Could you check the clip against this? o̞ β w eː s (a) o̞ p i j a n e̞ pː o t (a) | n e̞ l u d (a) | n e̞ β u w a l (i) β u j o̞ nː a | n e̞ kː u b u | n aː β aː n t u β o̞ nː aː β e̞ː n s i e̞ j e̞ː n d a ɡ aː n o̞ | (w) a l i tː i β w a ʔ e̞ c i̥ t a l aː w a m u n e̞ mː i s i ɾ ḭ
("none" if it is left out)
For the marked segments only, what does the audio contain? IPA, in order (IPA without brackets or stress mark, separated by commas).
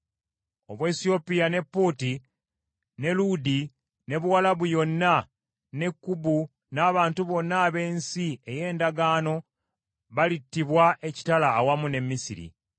i, i, i, a, β